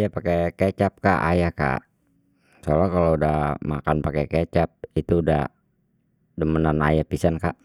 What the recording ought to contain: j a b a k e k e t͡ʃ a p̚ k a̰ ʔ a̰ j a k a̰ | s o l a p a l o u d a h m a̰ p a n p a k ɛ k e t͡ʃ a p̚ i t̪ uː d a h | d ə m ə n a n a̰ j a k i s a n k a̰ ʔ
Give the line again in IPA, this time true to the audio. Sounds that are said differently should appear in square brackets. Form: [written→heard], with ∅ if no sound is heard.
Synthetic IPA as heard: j a [b→p] a k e k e t͡ʃ a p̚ k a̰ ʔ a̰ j a k a̰ | s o l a [p→k] a l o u d a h m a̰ [p→k] a n p a k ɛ k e t͡ʃ a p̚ i t̪ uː d a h | d ə m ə n a n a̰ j a [k→p] i s a n k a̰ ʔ